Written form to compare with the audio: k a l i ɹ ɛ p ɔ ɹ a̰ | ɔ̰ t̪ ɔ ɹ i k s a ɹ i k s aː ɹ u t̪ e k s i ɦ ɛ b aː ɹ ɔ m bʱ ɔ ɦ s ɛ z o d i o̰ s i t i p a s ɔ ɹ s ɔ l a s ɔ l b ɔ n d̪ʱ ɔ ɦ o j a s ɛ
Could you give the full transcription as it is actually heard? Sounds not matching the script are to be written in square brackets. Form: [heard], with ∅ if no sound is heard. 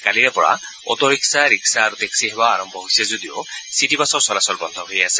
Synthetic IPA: k a l i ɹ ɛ p ɔ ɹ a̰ | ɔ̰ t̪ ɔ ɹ i k s a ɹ i k s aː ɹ u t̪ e k s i ɦ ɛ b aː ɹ ɔ m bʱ ɔ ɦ s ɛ z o d i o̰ s i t i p a s ɔ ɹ s ɔ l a s ɔ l b ɔ n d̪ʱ ɔ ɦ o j a s ɛ